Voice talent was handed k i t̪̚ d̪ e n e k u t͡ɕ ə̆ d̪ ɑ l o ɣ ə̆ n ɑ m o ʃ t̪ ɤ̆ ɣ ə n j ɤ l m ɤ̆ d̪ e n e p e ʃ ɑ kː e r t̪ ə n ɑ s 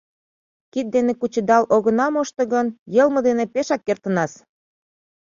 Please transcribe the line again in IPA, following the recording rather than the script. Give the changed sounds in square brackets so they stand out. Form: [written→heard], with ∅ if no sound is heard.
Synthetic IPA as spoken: k i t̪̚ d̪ e n e k u t͡ɕ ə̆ d̪ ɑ l o ɣ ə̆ n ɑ m o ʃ t̪ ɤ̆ ɣ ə n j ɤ l m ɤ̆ d̪ e n e p e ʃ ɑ kː e r t̪ ə n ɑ s

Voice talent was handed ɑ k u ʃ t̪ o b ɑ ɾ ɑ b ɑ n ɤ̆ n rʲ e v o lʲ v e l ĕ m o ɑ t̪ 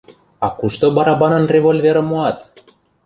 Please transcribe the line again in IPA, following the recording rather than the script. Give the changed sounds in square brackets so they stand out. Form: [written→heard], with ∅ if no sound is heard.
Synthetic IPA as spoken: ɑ k u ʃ t̪ o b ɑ ɾ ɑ b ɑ n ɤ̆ n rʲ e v o lʲ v e [l→ɾ] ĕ m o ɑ t̪

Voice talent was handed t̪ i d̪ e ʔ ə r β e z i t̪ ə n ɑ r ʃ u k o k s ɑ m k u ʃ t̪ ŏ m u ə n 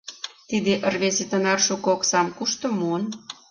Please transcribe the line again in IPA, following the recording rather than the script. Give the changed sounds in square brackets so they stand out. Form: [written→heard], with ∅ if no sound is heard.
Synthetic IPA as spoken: t̪ i d̪ e ʔ ə r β e z [i→e] t̪ ə n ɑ r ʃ u k o k s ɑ m k u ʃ t̪ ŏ m u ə n

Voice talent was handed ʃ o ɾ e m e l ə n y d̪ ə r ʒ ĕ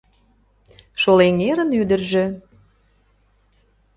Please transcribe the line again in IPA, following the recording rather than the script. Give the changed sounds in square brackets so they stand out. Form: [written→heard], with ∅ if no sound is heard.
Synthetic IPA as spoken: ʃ o [ɾ→l] e [m→ŋ] e [l→ɾ] ə n y d̪ ə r ʒ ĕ

